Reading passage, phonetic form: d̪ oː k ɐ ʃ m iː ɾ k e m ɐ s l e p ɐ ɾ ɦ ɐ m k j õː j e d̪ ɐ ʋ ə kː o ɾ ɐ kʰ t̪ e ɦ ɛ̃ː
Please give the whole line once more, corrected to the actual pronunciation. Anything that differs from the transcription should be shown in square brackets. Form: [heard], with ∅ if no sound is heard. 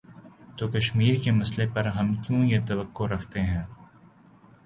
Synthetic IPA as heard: [t̪] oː k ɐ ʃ m iː ɾ k e m ɐ s l e p ɐ ɾ ɦ ɐ m k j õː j e [t̪] ɐ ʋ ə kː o ɾ ɐ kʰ t̪ e ɦ ɛ̃ː